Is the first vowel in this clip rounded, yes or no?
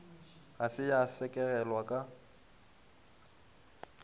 no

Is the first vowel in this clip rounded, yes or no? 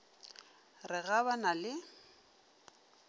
no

